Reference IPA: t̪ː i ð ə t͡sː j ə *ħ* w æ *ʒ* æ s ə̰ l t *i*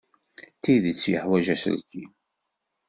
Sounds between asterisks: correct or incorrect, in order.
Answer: correct, correct, correct

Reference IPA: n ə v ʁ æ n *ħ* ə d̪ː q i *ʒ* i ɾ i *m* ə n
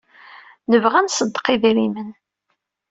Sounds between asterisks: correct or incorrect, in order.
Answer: incorrect: s, incorrect: ð, correct

